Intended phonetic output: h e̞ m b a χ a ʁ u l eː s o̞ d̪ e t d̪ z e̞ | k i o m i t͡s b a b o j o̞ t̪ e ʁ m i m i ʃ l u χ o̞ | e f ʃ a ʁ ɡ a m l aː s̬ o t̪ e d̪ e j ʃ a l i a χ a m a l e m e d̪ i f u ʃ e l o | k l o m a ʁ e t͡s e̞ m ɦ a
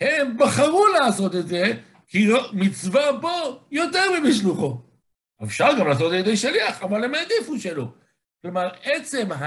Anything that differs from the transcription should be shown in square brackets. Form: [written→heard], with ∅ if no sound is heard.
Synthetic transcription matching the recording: h e̞ m b a χ a ʁ u l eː s o̞ [d̪→t̪] e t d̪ z e̞ | k i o m i t͡s [b→v] a b o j o̞ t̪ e ʁ m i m i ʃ l u χ o̞ | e f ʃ a ʁ ɡ a m l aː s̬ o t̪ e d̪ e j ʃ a l i a χ a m a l e m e d̪ i f u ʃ e l o | k l o m a ʁ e t͡s e̞ m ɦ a